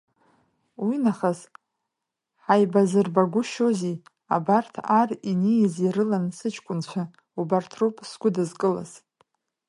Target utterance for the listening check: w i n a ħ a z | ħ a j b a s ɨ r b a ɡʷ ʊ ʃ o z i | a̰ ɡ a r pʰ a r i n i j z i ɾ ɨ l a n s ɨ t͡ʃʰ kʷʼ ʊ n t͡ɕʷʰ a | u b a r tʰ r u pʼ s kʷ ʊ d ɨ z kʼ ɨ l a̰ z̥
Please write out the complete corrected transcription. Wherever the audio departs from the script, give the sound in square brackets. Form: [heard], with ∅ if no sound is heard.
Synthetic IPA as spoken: w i n a [χ] a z | ħ a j b a [z] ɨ r b a ɡʷ ʊ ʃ o z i | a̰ [b] a r [tʰ] a r i n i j z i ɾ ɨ l a n s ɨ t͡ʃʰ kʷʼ ʊ n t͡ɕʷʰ a | u b a r tʰ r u pʼ s [ɡʷ] ʊ d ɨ z kʼ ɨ l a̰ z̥